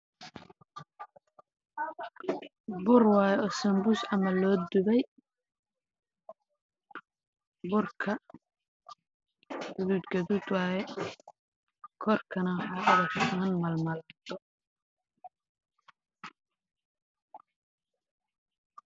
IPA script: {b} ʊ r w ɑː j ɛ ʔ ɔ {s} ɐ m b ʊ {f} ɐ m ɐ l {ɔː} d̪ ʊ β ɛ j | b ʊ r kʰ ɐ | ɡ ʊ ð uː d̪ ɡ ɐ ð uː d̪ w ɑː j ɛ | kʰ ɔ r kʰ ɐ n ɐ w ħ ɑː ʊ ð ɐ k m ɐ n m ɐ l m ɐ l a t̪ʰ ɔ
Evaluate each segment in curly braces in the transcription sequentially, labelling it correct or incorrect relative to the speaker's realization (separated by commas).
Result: correct, correct, incorrect, correct